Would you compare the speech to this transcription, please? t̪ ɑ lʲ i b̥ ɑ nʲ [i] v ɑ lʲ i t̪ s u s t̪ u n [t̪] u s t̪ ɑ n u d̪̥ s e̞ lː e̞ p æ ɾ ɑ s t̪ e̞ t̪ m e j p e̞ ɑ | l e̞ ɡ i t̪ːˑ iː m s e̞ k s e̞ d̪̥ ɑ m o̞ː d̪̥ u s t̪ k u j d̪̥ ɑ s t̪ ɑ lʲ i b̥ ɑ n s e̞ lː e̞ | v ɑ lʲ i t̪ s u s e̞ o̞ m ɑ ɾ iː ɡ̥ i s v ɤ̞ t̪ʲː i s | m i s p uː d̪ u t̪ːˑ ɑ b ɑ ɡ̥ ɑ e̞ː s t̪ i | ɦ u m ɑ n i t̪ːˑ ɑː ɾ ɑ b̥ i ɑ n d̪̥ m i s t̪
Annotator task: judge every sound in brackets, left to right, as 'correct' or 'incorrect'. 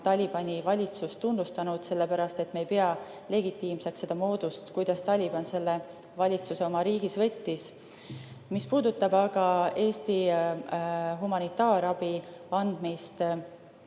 correct, incorrect

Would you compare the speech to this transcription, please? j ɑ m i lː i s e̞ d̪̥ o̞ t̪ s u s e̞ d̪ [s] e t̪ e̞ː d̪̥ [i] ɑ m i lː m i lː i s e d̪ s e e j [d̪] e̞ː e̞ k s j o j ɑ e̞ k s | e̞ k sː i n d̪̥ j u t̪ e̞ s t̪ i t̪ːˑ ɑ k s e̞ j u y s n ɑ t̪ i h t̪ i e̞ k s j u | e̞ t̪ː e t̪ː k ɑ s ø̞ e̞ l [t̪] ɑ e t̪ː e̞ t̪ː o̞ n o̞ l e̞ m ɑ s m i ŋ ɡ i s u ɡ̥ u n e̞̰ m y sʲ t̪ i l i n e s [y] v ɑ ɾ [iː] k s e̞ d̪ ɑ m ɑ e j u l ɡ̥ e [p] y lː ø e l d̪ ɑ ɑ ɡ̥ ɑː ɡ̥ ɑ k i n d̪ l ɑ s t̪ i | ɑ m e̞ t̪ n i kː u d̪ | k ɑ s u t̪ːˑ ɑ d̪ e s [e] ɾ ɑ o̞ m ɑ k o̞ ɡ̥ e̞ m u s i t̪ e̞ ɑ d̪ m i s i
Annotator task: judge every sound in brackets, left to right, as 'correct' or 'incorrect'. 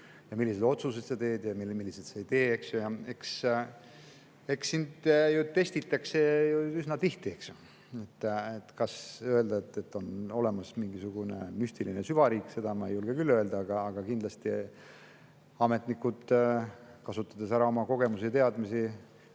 correct, incorrect, incorrect, incorrect, correct, correct, incorrect, incorrect

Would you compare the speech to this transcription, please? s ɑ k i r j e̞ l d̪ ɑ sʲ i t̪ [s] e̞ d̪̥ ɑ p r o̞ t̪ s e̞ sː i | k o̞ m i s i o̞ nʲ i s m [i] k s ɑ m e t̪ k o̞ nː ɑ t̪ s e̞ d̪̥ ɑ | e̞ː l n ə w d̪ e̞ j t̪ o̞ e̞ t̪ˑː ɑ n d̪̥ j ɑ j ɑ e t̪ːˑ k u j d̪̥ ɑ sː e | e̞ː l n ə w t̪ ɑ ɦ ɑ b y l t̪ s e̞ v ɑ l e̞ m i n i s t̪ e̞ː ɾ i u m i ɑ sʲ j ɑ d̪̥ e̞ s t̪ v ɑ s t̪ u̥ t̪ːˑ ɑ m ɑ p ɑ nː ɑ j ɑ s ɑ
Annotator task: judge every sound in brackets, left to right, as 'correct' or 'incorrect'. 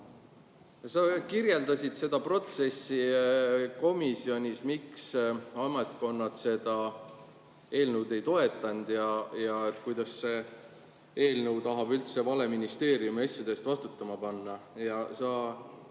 correct, correct

